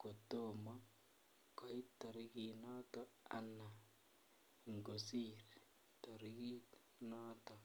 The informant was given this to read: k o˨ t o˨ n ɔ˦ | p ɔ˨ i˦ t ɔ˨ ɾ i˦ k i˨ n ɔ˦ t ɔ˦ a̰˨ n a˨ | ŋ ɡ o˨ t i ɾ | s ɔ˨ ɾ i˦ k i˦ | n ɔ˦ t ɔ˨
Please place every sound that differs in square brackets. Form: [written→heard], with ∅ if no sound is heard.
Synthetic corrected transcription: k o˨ t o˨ [n→m] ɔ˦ | [p→k] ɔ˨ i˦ t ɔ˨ ɾ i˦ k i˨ n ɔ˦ t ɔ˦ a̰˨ n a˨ | ŋ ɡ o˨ [t→s] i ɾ | [s→t] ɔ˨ ɾ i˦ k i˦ | n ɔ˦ t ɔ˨